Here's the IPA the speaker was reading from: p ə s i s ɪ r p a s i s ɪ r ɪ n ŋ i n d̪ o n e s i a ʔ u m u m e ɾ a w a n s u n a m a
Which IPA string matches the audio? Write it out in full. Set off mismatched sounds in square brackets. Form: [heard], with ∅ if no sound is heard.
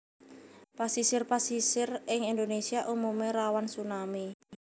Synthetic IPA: p [a] s i s ɪ r p a s i s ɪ r ɪ [∅] ŋ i n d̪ o n e s i a ʔ u m u m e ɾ a w a n s u n a m [i]